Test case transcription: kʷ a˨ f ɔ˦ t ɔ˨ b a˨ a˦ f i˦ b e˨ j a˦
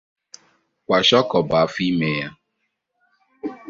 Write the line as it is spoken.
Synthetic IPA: kʷ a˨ ʃ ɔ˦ k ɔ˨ b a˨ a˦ f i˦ m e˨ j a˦